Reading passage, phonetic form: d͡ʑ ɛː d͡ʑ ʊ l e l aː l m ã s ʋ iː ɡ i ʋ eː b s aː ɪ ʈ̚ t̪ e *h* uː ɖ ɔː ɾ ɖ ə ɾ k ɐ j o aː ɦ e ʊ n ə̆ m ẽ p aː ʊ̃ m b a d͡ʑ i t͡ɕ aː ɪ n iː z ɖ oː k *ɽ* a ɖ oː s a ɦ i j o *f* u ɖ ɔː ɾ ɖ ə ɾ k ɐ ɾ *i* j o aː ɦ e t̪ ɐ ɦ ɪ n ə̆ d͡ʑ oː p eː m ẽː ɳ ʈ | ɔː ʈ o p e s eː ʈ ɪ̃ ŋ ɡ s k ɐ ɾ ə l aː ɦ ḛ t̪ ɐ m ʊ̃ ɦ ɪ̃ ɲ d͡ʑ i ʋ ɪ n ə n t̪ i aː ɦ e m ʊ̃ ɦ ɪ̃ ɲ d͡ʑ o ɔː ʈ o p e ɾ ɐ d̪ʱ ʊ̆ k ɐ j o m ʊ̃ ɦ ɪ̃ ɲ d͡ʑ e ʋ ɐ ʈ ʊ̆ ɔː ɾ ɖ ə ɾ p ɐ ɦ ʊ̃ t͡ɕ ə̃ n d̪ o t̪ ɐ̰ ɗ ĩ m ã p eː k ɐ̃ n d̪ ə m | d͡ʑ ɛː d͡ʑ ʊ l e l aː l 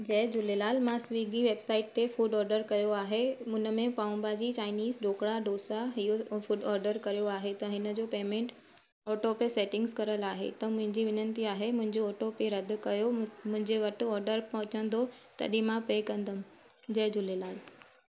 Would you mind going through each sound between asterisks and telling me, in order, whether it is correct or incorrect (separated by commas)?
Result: incorrect, correct, correct, correct